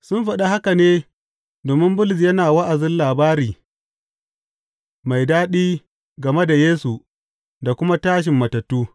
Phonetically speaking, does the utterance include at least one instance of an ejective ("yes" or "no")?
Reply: no